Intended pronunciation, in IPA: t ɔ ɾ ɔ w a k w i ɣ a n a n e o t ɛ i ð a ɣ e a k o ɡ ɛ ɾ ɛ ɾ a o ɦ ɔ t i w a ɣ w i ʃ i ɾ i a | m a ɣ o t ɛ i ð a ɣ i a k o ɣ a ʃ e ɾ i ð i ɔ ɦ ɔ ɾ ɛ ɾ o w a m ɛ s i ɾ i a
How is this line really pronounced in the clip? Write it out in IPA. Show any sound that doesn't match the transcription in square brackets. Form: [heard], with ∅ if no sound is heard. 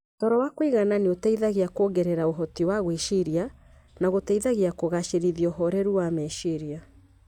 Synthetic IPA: t ɔ ɾ ɔ w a k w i ɣ a n a n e o t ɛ i ð a ɣ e a k o ɡ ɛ ɾ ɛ ɾ a o ɦ ɔ t i w a ɣ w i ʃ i ɾ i a | [n] a ɣ o t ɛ i ð a ɣ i a k o ɣ a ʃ e ɾ i ð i ɔ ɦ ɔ ɾ ɛ ɾ [u] w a m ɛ [ʃ] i ɾ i a